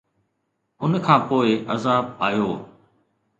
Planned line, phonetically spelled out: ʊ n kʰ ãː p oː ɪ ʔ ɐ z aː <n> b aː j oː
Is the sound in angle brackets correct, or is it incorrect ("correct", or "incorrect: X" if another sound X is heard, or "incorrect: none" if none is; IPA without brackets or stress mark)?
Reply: incorrect: none